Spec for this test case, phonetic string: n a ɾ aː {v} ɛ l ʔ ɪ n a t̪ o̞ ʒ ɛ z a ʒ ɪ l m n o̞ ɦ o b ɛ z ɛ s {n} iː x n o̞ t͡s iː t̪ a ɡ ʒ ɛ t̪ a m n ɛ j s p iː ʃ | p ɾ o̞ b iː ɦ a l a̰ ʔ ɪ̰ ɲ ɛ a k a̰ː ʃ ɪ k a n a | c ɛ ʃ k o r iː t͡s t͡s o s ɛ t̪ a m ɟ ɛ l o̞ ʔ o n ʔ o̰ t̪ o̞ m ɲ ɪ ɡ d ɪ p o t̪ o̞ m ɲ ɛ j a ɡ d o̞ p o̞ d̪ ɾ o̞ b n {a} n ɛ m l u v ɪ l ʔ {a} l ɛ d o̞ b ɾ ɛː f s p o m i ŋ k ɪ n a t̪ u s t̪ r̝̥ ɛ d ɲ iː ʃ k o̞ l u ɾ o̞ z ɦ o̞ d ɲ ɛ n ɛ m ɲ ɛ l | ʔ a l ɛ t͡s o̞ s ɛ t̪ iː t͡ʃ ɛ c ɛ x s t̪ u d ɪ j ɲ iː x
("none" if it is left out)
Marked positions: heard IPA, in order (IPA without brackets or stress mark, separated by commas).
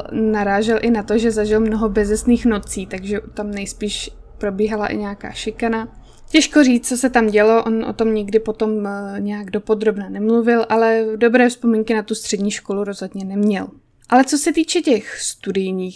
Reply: ʒ, n, a, a